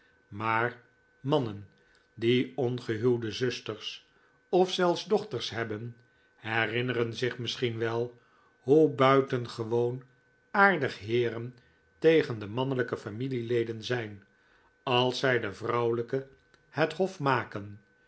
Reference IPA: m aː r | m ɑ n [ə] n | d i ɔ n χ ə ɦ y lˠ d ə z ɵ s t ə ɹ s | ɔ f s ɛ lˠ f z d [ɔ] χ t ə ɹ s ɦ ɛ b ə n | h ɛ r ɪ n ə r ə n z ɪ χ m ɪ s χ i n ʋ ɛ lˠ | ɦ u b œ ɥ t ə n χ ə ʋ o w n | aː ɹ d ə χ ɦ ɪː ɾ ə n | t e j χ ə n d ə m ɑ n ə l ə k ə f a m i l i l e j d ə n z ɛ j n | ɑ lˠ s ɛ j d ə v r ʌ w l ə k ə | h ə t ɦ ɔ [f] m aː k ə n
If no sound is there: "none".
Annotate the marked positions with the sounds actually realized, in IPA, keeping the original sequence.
ə, ɔ, f

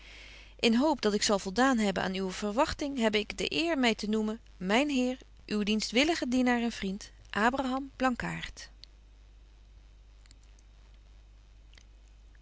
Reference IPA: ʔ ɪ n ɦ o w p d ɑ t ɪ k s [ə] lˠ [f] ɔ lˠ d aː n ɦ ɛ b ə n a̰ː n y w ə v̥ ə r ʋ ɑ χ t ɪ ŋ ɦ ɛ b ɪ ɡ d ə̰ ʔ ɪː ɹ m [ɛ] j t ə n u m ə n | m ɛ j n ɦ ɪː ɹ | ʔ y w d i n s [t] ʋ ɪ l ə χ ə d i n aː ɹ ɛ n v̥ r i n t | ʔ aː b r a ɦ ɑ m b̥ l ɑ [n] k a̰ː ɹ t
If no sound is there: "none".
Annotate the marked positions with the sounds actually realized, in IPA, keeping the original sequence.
ɑ, v, ɛ, t, ŋ

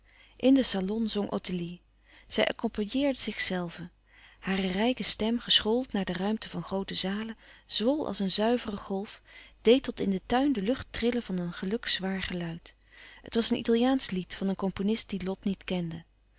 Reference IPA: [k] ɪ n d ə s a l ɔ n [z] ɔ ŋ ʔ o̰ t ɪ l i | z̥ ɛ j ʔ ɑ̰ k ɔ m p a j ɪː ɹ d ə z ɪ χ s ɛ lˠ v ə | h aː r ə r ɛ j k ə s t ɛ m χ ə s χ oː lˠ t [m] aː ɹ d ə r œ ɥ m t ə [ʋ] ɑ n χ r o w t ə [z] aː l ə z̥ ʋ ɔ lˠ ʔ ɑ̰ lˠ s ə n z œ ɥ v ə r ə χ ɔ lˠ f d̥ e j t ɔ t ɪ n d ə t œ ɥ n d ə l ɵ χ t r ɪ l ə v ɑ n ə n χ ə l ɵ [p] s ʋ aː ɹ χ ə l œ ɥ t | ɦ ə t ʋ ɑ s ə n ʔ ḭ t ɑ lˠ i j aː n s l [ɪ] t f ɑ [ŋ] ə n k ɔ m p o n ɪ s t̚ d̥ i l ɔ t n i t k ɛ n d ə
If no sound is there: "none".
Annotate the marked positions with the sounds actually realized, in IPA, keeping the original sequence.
ʔ, z, n, v, z, k, i, n

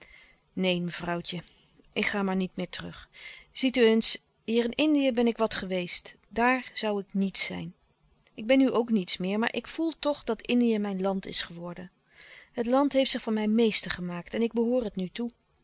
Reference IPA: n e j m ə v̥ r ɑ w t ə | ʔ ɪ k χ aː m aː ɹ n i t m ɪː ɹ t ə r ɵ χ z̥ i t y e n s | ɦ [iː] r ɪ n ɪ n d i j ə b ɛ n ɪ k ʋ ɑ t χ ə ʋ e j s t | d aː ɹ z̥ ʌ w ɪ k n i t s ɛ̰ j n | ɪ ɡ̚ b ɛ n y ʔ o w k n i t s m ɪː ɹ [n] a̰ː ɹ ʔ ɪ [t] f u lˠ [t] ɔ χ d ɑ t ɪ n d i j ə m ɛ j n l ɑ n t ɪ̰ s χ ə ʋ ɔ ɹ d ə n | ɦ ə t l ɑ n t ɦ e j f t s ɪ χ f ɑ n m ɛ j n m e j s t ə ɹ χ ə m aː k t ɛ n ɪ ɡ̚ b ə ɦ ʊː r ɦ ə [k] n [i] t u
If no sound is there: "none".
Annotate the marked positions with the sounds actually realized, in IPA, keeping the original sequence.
iː, m, k, t, t, y

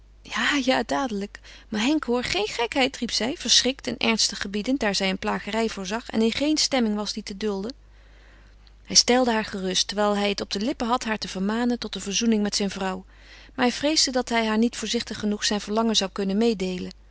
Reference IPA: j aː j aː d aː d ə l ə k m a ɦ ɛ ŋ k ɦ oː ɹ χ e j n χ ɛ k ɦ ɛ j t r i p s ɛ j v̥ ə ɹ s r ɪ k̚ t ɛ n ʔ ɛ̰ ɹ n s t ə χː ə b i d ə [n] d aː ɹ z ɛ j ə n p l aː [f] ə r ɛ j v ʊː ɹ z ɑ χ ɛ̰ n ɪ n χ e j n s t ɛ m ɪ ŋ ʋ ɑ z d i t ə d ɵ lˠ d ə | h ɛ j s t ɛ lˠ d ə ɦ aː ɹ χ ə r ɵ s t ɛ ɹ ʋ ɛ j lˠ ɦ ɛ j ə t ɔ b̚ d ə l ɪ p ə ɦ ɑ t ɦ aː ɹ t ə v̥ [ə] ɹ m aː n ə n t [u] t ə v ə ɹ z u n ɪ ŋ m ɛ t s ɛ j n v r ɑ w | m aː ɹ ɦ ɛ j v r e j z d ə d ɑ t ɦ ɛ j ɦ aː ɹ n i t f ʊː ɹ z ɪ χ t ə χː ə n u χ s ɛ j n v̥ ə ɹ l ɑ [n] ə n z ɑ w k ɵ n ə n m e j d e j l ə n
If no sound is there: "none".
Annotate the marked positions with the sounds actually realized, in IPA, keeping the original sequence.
n, χ, ə, ɔ, ŋ

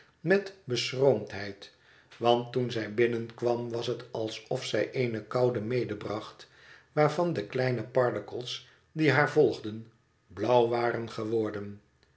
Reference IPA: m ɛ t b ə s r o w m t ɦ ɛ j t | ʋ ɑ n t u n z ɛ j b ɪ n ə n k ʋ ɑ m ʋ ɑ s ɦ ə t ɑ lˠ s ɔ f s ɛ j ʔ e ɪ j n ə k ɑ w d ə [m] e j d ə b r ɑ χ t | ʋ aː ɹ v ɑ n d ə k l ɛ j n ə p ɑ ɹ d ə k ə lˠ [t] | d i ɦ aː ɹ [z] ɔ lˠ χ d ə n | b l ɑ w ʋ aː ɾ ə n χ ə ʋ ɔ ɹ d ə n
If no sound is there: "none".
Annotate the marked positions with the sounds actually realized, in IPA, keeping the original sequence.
m, s, v

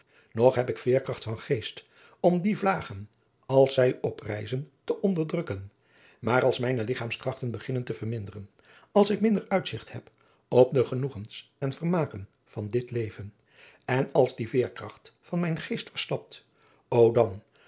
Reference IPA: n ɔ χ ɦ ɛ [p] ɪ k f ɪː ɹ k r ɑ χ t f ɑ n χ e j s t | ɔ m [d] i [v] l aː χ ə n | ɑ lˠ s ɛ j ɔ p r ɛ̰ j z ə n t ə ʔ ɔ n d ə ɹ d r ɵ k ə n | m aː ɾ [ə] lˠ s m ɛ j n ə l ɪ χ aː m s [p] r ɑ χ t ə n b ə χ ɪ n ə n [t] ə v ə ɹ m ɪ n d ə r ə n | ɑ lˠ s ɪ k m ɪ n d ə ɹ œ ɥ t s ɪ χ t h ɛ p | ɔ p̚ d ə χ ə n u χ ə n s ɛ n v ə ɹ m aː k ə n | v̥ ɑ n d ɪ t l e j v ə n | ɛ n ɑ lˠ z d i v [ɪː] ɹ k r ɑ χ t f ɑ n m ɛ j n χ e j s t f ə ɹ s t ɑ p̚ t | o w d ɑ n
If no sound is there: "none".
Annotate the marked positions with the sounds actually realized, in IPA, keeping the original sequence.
p, d, v, ɑ, k, t, ɪː

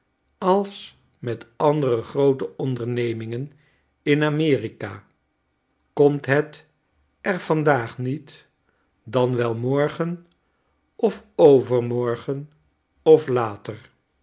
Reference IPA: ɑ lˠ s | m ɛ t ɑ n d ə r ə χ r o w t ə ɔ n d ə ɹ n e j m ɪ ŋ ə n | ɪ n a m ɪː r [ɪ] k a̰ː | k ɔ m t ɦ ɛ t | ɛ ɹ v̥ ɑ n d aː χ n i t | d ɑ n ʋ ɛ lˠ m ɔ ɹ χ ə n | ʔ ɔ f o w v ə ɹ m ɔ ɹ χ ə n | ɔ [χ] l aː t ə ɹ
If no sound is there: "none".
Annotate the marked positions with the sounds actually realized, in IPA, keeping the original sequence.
i, f

